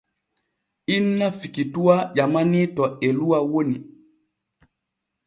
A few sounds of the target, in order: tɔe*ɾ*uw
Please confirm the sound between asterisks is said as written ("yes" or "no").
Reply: no